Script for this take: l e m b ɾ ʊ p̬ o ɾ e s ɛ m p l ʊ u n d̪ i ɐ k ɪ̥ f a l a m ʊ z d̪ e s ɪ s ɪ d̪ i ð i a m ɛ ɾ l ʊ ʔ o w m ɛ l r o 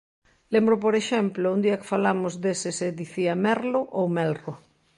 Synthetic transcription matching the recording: l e m b ɾ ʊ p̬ o ɾ e ʃ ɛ m p l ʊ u n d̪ i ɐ k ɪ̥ f a l a m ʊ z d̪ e s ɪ s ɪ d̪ i θ i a m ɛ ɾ l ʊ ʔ o w m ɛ l r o